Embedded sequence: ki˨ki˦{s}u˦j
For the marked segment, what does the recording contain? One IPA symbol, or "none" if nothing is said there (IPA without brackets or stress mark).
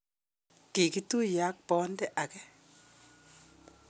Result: t